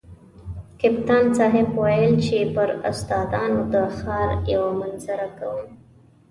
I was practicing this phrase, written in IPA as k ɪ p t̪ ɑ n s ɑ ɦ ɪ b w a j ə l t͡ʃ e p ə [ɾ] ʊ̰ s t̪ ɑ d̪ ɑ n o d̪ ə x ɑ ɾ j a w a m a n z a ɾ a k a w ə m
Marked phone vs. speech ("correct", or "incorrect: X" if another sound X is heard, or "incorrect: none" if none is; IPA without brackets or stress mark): correct